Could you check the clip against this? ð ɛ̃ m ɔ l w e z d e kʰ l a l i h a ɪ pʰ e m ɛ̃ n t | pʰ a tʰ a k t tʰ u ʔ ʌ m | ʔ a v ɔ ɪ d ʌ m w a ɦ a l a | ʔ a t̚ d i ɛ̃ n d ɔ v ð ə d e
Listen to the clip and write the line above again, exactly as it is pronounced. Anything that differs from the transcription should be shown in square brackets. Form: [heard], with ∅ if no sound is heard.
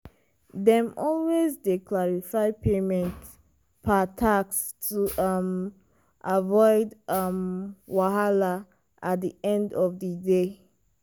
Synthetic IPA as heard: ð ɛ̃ m ɔ l w e z d e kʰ l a [ɹ] i [f] a ɪ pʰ e m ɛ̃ n t | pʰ a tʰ a k [s] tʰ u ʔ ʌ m | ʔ a v ɔ ɪ d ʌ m w a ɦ a l a | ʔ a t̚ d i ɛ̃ n d ɔ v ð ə d e